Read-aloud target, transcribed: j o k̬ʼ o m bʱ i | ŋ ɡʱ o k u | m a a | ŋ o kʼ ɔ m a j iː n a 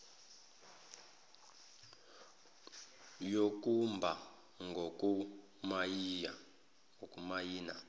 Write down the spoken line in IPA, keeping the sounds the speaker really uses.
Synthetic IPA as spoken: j o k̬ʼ u m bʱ a | ŋ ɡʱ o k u | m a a | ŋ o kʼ u m a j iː n a